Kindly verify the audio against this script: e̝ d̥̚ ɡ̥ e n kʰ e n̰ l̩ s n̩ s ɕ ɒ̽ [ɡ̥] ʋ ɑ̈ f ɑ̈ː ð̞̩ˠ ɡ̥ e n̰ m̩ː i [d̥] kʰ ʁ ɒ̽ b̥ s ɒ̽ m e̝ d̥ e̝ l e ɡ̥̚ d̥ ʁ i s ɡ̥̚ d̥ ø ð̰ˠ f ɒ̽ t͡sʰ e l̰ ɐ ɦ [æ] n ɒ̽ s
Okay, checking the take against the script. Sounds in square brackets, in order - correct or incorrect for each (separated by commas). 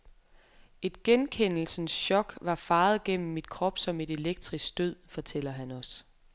correct, correct, correct